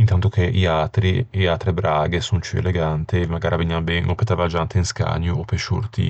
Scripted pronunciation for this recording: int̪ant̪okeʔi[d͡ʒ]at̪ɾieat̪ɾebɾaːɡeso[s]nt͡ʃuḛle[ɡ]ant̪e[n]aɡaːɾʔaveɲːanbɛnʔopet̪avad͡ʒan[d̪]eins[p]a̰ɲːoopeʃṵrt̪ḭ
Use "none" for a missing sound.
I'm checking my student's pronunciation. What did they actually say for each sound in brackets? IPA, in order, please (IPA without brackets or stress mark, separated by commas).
none, none, ɡ, m, t̪, k